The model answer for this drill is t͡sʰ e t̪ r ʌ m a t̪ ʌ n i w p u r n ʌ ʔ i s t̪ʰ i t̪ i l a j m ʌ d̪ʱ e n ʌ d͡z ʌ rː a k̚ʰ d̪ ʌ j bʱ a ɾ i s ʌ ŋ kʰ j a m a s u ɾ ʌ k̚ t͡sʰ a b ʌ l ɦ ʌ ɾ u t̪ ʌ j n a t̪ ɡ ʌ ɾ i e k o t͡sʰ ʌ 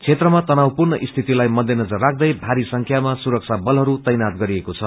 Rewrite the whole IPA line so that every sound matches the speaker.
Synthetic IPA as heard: t͡sʰ e t̪ r ʌ m a t̪ ʌ n a w p u r n ʌ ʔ i s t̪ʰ i t̪ i l a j m ʌ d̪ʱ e n ʌ d͡z ʌ rː a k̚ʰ d̪ ʌ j bʱ a ɾ i s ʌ ŋ kʰ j a m a s u ɾ ʌ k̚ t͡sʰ a b ʌ l ɦ ʌ ɾ u t̪ ʌ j n a t̪ ɡ ʌ ɾ i e k o t͡sʰ ʌ